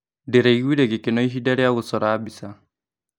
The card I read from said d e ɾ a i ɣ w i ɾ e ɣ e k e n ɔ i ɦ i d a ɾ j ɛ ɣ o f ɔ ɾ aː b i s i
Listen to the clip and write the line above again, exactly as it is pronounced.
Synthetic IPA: d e ɾ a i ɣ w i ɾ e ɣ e k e n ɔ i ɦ i d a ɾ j a ɣ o s ɔ ɾ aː b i s a